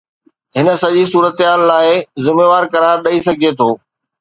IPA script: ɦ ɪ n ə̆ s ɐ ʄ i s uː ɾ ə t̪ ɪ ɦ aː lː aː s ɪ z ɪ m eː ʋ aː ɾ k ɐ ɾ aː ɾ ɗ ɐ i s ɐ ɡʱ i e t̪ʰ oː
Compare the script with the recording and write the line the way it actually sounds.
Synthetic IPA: ɦ ɪ n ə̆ s ɐ ʄ i s uː ɾ ə t̪ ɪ ɦ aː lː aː ɪ z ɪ m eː ʋ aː ɾ k ɐ ɾ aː ɾ ɗ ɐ i s ɐ ɡʱ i e t̪ʰ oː